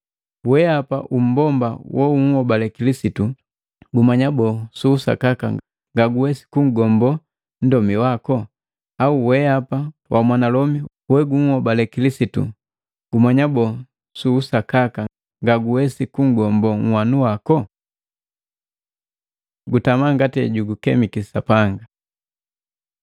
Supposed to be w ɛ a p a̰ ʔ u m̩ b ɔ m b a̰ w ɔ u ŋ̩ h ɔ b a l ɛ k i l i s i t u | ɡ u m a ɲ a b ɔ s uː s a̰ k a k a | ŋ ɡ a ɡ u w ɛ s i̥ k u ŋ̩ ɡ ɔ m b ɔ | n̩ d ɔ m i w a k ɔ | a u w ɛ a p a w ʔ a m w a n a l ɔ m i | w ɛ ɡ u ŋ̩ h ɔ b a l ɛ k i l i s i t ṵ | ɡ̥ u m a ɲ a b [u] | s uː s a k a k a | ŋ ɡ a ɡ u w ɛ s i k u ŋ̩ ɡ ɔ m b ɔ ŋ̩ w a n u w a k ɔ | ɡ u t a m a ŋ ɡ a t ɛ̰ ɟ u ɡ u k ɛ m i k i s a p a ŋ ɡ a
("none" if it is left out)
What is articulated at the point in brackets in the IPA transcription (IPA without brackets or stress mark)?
ɔ